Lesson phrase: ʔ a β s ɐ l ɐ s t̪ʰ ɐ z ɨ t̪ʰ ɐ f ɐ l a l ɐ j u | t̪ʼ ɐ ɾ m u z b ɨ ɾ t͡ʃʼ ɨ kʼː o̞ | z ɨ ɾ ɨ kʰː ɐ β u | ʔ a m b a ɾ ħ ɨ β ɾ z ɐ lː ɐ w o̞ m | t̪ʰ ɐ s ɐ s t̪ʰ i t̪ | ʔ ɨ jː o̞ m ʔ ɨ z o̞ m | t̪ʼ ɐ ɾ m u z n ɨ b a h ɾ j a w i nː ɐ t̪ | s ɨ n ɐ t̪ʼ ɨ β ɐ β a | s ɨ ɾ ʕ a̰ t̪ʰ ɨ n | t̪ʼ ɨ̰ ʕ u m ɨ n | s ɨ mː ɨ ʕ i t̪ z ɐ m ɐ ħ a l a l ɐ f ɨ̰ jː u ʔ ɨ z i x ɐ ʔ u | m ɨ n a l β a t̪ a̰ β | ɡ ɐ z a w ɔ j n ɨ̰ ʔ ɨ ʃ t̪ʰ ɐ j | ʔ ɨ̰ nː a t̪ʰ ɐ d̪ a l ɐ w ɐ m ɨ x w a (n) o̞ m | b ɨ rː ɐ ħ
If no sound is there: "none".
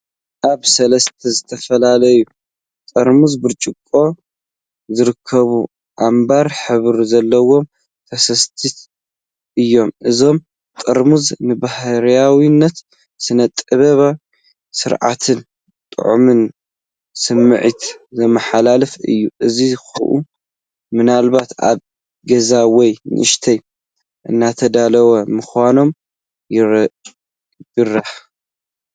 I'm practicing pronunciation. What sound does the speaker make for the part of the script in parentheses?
n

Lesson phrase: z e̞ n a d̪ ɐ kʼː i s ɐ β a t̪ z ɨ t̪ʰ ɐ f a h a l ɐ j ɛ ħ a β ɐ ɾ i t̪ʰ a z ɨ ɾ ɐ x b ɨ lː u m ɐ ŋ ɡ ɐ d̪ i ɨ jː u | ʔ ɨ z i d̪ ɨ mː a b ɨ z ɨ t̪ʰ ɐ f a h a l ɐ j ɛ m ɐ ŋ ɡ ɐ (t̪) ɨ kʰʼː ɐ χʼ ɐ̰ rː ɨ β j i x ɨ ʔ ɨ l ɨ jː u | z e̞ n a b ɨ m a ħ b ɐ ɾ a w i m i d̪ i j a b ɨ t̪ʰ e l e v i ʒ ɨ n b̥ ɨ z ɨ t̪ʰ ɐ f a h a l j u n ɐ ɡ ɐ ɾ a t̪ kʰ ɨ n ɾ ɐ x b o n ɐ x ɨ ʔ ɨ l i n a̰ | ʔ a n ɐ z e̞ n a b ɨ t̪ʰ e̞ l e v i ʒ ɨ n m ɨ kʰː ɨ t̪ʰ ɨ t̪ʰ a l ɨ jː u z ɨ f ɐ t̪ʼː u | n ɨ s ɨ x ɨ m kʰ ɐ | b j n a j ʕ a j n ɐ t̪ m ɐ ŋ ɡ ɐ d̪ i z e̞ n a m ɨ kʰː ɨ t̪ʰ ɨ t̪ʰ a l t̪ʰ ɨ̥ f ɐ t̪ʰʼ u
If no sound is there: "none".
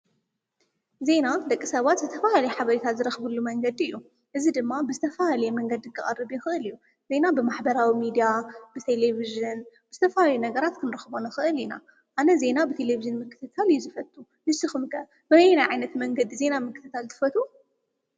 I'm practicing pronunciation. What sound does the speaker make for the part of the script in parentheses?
d̪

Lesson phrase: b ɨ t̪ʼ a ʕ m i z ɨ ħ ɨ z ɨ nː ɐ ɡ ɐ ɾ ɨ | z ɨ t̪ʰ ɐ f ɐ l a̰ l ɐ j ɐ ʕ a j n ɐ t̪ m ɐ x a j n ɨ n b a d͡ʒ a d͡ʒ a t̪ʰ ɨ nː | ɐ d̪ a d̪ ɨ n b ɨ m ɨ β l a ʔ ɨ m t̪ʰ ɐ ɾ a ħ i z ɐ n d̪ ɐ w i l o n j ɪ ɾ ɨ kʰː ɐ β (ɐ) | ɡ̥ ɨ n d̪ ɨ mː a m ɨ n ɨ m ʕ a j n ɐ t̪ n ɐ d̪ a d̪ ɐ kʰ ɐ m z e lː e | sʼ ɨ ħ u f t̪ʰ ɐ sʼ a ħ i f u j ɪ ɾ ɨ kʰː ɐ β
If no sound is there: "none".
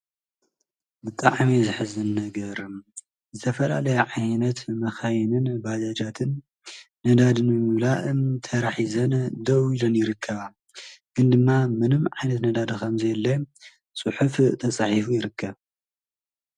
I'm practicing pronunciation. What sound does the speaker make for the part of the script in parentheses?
a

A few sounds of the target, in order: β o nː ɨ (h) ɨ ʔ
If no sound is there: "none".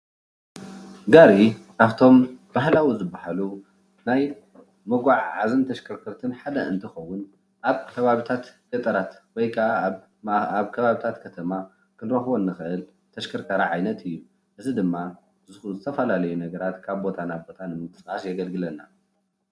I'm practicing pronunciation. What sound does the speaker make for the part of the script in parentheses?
x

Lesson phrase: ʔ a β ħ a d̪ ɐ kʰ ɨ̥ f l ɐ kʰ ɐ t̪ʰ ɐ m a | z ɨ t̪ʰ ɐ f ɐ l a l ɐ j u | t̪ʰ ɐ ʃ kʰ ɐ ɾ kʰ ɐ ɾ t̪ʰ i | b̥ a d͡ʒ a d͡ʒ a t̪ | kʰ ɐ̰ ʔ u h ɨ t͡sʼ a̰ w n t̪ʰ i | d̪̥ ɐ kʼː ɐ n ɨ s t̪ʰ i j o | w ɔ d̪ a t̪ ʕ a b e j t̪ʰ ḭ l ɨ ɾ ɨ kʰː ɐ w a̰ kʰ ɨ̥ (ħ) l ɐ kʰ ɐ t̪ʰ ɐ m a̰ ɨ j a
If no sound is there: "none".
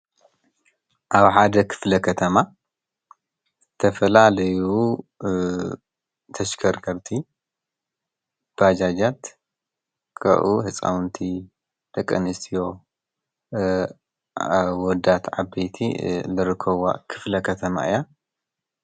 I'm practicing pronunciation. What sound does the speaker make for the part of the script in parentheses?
f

